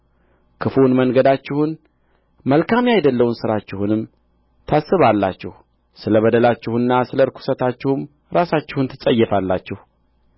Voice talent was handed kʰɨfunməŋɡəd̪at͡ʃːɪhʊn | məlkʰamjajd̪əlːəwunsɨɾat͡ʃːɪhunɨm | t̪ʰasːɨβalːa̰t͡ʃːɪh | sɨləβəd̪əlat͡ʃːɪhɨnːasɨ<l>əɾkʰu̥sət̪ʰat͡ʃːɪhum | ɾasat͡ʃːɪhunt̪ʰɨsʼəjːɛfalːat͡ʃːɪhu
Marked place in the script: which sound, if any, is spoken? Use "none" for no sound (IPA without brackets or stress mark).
l